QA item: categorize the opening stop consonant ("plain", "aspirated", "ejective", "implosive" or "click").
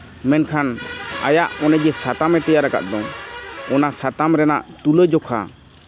aspirated